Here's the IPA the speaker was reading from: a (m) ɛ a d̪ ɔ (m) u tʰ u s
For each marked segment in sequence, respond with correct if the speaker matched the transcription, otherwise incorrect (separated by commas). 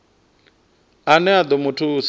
incorrect, correct